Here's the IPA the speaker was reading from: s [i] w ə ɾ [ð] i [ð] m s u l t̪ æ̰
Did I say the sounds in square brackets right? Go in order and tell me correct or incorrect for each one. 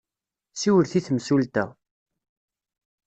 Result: correct, incorrect: θ, incorrect: θ

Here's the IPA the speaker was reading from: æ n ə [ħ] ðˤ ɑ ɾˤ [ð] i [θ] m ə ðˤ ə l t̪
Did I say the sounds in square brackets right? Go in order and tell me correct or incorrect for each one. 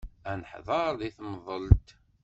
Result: correct, correct, correct

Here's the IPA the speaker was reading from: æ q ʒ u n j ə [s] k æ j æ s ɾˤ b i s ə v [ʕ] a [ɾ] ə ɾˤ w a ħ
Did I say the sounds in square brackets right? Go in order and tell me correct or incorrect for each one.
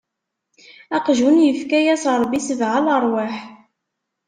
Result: incorrect: f, correct, incorrect: l

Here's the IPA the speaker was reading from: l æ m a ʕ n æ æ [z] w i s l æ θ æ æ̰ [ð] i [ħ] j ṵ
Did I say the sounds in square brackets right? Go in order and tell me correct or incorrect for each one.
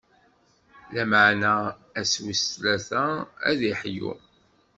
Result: incorrect: s, correct, correct

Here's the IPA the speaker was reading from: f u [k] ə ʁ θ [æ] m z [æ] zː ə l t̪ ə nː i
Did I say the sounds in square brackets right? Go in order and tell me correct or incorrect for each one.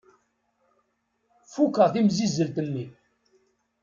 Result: correct, incorrect: i, incorrect: i

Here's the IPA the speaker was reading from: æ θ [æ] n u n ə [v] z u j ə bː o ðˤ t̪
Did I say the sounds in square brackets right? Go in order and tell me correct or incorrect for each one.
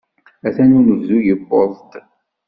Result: correct, correct

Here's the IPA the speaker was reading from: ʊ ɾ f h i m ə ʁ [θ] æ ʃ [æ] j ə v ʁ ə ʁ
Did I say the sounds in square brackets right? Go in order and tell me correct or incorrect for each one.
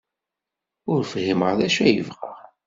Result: incorrect: ð, correct

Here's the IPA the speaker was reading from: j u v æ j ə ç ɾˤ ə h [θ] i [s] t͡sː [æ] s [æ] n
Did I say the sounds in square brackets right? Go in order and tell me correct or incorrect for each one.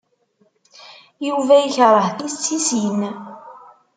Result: correct, correct, incorrect: i, incorrect: i

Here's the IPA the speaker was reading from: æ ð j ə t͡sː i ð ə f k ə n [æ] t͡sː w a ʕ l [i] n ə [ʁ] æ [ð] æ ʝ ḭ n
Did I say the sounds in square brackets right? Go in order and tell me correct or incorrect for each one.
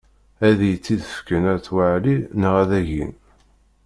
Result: correct, correct, correct, correct

